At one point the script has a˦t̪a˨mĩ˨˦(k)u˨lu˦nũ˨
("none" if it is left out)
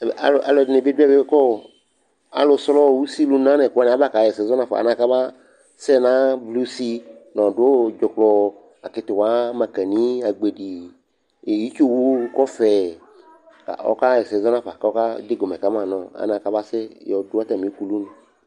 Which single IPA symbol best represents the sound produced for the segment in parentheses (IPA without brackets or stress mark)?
k